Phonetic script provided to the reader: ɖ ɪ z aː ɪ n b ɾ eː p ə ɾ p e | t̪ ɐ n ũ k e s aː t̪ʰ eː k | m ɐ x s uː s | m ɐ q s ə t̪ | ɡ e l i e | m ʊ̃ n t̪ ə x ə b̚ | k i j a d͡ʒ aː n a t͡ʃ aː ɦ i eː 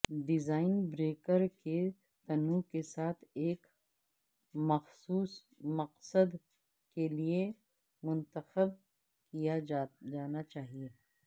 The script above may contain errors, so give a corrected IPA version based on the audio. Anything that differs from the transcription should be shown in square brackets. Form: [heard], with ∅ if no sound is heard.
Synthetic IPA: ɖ ɪ z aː ɪ n b ɾ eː [k] ə ɾ [k] e | t̪ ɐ n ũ k e s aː t̪ʰ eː k | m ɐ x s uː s | m ɐ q s ə [d̪] | [k] e l i e | m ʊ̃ n t̪ ə x ə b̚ | k i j a d͡ʒ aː n a t͡ʃ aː ɦ i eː